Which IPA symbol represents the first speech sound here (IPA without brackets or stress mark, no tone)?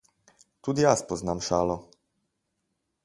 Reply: t̪